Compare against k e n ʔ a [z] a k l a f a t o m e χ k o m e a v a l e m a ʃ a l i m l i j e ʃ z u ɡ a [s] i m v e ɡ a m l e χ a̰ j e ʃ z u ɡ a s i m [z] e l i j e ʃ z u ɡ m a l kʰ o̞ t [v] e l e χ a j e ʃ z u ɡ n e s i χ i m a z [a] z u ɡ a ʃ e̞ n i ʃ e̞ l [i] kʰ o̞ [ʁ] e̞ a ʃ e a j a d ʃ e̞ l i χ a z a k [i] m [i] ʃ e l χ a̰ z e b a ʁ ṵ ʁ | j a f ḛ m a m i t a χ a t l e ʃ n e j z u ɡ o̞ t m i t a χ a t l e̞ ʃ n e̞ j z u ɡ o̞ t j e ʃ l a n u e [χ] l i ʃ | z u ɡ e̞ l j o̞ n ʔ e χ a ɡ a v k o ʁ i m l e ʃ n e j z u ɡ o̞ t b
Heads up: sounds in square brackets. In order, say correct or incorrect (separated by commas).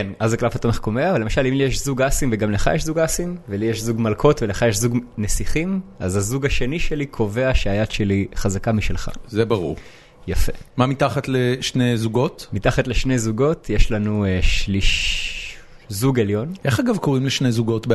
correct, correct, incorrect, correct, correct, correct, incorrect, incorrect, correct, incorrect